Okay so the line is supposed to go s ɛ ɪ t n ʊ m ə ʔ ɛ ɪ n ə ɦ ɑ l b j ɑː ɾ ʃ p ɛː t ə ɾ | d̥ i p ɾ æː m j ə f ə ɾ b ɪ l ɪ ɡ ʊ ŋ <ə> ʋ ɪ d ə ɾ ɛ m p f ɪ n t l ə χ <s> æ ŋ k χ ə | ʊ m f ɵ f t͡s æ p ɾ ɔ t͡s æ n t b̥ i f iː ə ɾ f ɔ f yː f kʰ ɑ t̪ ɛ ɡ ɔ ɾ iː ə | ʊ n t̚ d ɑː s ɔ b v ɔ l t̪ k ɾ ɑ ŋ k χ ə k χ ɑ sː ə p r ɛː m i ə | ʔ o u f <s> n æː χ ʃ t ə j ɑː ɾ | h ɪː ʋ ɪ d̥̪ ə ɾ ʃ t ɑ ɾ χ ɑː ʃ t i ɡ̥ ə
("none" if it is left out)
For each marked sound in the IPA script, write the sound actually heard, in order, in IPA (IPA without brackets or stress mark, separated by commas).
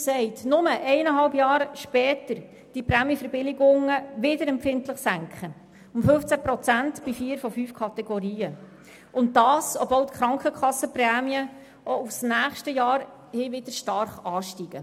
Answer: ə, s, s